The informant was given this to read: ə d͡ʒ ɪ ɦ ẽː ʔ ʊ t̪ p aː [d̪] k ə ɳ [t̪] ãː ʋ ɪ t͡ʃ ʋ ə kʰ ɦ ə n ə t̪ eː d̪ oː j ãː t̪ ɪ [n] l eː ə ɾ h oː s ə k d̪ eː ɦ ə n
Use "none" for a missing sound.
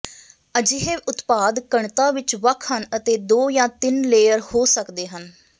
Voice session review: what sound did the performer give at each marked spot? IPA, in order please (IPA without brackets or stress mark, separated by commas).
d̪, t̪, n